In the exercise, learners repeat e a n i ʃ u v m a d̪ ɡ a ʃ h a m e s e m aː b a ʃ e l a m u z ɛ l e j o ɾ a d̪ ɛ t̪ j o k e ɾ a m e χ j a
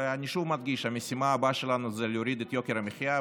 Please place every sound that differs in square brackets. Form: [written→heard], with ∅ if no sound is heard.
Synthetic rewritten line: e a n i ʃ u v m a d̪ ɡ [a→i] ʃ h a m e s [e→i] m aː b a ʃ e l a [m→n] u z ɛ l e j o ɾ [a→i] d̪ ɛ t̪ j o k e ɾ a m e χ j a